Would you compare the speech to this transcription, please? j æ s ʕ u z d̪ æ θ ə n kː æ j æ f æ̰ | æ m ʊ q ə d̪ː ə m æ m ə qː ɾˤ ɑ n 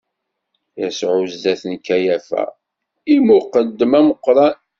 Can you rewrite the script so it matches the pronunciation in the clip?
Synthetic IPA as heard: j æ s ʕ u z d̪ æ θ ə n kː æ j æ f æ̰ | i m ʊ q ə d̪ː ə m æ m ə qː ɾˤ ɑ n